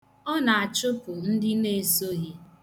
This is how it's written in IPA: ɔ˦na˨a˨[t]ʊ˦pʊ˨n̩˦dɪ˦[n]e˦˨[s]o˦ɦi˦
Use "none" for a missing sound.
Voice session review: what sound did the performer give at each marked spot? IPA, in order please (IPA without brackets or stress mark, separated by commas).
t͡ʃ, n, s